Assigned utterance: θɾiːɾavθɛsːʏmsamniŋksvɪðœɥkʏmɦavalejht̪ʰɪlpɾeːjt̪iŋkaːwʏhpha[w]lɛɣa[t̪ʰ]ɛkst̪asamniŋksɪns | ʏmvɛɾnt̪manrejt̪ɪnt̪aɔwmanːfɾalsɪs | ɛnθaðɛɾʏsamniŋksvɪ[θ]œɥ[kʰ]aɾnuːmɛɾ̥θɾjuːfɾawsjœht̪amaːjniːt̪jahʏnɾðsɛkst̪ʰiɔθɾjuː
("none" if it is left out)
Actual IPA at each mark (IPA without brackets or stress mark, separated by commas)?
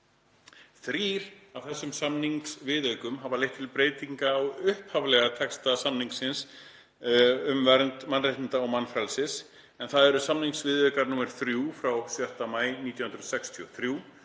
v, t̪ʰ, ð, k